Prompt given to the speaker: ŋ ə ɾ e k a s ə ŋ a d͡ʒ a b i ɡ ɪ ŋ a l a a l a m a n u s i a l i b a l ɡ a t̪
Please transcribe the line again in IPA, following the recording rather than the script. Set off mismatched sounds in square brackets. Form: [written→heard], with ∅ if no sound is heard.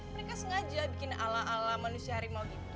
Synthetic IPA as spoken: [ŋ→m] ə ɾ e k a s ə ŋ a d͡ʒ a b i [ɡ→k] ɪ [ŋ→n] a l a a l a m a n u s i a [l→ɾ] i [b→m] a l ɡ [a→i] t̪